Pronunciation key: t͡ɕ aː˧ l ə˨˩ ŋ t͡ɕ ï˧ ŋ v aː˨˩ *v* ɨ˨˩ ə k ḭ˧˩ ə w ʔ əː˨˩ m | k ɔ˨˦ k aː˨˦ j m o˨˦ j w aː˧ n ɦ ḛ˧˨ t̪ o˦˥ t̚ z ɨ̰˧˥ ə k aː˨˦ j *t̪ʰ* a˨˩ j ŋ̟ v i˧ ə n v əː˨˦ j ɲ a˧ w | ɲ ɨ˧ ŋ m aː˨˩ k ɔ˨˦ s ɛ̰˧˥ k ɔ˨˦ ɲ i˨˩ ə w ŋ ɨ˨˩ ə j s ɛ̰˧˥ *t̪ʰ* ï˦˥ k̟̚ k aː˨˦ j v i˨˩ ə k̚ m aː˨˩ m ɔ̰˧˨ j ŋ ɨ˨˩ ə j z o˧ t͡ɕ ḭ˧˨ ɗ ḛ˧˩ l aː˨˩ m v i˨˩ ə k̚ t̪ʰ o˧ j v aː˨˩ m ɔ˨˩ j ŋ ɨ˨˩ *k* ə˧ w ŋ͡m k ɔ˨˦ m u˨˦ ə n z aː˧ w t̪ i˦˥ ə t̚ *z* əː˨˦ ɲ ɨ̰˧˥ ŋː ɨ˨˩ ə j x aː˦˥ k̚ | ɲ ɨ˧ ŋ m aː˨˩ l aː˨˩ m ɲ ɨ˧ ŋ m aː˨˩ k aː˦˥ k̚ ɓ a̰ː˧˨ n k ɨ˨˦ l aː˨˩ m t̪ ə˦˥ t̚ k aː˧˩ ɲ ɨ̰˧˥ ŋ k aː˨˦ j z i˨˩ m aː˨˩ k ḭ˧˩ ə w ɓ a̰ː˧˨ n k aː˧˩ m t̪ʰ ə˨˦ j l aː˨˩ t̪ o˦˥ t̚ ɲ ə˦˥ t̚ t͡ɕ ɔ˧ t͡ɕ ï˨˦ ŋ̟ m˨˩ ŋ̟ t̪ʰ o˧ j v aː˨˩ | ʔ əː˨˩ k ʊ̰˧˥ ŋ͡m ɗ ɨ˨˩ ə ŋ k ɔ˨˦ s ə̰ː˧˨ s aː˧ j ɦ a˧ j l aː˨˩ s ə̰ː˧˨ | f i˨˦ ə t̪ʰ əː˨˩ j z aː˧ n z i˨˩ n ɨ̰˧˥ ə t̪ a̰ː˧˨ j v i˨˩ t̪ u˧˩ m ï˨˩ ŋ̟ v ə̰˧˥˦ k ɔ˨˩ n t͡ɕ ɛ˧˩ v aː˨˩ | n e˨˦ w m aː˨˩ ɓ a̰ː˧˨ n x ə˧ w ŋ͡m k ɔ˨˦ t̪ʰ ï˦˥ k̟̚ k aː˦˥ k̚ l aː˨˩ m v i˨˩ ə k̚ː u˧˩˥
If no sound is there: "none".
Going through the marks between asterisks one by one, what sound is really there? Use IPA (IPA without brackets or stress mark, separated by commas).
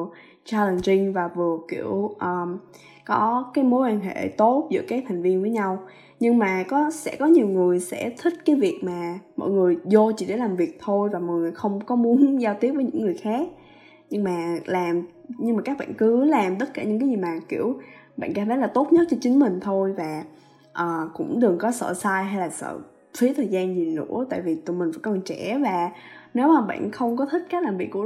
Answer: v, t̪ʰ, t̪ʰ, x, v